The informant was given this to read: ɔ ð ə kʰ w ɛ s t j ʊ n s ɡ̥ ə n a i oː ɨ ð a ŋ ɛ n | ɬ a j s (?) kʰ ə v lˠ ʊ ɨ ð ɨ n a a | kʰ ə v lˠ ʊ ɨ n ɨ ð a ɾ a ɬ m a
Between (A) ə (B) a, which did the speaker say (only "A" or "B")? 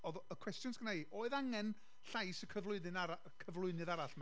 A